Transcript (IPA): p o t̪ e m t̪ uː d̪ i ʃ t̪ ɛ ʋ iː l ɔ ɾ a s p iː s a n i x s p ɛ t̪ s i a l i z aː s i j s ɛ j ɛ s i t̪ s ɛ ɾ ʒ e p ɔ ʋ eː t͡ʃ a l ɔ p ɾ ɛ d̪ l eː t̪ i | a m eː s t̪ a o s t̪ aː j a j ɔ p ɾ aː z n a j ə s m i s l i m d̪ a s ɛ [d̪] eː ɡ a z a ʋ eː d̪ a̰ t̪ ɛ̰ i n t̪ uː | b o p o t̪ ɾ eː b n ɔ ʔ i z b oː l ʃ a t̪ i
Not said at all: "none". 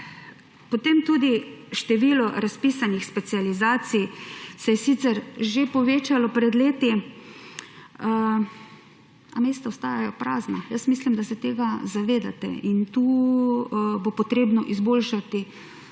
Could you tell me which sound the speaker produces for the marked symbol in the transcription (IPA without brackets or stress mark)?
t̪